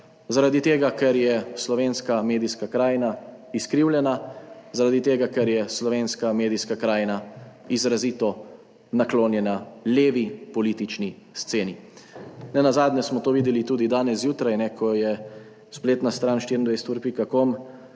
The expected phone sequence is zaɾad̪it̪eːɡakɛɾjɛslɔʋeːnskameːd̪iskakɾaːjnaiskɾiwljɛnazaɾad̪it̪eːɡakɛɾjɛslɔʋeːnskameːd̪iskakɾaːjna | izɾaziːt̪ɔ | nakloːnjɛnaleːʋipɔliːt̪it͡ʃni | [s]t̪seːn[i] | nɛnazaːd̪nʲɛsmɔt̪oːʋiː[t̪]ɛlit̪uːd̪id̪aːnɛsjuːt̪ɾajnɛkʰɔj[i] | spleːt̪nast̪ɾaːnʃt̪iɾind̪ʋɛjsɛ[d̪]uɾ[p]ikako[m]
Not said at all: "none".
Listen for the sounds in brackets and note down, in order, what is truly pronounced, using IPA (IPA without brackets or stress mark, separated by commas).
s, i, d̪, ɛ, t̪, p, m